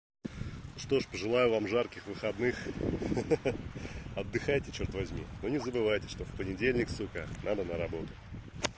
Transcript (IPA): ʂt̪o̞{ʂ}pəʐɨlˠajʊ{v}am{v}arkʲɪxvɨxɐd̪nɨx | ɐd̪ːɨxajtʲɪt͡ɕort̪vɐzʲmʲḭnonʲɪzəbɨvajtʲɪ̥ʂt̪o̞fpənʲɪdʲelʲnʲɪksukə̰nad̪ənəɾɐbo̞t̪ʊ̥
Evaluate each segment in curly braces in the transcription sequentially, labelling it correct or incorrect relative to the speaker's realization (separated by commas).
correct, correct, incorrect